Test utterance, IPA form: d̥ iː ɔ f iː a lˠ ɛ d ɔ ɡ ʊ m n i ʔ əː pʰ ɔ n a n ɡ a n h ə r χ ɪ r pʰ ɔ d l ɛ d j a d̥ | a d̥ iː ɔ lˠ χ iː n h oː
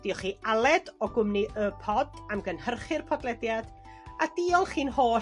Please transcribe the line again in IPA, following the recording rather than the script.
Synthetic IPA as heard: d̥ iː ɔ χ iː a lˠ ɛ d ɔ ɡ ʊ m n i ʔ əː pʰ ɔ d a m ɡ ə n h ə r χ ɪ r pʰ ɔ d l ɛ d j a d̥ | a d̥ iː ɔ lˠ χ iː n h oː